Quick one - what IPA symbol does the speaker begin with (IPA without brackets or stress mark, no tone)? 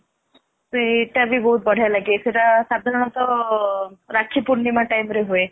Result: s